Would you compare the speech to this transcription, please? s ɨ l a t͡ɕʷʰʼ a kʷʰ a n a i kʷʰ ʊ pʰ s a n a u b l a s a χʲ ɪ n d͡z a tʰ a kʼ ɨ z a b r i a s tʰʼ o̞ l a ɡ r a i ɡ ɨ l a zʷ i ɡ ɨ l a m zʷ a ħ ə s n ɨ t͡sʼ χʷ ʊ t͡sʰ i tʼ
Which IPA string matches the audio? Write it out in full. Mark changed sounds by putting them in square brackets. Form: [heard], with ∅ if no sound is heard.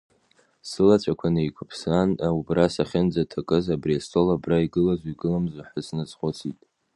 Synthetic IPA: s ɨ l a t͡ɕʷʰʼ a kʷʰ a n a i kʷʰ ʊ pʰ s a n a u b [r] a s a χʲ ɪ n d͡z a tʰ a kʼ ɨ z a b r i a s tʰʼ o̞ l a [b] r a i ɡ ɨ l a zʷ i ɡ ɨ l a m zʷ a ħ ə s n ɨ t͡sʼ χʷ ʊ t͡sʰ i tʼ